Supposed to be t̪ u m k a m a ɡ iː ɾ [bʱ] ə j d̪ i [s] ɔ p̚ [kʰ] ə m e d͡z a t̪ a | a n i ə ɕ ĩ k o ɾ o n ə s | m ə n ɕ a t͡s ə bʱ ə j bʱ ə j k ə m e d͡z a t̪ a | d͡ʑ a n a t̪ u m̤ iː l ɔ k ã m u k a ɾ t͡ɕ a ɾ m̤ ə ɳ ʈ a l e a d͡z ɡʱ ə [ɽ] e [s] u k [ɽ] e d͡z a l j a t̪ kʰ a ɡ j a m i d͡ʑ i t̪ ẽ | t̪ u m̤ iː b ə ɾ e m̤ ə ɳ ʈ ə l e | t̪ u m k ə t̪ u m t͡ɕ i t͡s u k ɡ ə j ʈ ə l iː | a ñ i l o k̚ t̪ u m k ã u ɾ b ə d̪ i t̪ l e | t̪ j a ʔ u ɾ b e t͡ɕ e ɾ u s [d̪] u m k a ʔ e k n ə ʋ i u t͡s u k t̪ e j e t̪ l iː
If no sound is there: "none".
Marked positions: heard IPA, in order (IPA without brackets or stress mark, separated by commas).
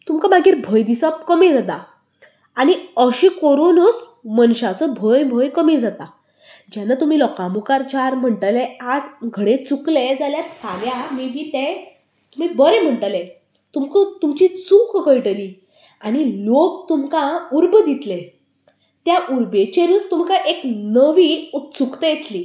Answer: bʱ, s, k, ɽ, t͡s, l, t̪